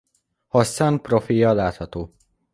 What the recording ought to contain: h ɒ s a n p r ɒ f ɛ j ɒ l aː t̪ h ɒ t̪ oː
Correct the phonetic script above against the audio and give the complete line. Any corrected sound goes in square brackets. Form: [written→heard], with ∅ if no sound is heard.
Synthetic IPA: h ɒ s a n p r [ɒ→o] f [ɛ→i] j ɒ l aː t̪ h ɒ t̪ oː